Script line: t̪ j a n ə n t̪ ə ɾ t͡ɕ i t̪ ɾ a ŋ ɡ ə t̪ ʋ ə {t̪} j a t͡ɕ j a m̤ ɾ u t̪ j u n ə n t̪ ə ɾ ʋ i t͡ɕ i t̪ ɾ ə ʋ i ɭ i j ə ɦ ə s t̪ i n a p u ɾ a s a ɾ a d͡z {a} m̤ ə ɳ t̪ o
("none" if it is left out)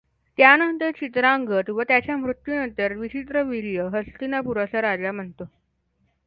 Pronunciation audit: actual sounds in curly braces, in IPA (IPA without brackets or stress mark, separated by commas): t̪, a